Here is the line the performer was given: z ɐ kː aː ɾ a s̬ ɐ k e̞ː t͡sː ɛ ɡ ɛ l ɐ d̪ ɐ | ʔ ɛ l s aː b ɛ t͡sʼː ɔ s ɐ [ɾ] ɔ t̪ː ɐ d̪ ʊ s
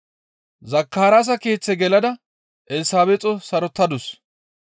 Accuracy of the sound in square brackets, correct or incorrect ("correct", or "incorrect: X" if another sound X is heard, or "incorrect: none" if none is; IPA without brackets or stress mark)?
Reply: correct